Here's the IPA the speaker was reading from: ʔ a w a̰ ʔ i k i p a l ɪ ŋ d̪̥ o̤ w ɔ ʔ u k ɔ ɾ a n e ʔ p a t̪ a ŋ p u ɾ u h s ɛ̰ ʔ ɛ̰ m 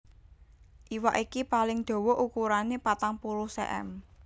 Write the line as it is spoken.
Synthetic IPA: ʔ i w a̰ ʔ i k i p a l ɪ ŋ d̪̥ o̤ w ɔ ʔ u k u ɾ a n e p a t̪ a ŋ p u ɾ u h s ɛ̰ ʔ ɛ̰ m